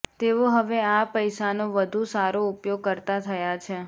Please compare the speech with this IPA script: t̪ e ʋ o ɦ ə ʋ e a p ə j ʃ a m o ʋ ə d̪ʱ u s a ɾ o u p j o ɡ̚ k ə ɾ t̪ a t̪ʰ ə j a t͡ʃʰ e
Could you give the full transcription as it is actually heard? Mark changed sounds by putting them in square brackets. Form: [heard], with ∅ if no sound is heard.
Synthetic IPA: t̪ e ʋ o ɦ ə ʋ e a p ə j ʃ a [n] o ʋ ə d̪ʱ u s a ɾ o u p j o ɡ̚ k ə ɾ t̪ a t̪ʰ ə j a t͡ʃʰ e